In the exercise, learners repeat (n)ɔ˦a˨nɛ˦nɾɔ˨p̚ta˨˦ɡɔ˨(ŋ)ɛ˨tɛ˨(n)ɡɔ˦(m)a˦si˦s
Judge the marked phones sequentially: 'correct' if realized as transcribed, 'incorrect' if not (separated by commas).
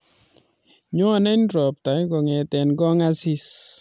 incorrect, correct, correct, incorrect